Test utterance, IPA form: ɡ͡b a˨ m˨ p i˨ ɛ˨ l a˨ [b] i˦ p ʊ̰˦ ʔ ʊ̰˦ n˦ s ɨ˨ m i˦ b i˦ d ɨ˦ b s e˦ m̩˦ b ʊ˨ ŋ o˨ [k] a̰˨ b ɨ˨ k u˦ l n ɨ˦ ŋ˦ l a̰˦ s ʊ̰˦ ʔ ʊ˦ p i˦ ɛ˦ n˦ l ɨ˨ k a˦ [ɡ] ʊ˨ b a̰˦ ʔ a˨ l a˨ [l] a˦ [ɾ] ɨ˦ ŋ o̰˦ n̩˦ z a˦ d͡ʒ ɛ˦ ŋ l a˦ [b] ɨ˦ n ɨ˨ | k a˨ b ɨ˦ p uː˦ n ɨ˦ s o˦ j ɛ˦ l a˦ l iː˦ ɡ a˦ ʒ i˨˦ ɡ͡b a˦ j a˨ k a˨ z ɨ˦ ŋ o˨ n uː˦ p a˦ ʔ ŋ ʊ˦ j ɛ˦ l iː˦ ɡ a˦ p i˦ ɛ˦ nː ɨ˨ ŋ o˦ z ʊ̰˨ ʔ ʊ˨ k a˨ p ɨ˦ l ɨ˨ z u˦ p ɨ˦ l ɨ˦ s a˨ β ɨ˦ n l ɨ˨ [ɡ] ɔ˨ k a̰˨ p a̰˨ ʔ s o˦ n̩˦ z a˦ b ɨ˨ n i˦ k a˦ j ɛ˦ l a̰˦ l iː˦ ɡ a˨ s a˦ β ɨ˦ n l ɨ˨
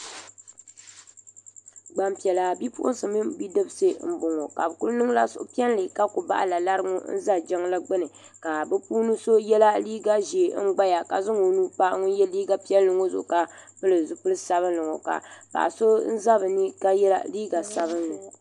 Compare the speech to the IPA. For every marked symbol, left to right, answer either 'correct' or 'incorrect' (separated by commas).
correct, correct, incorrect, correct, correct, incorrect, incorrect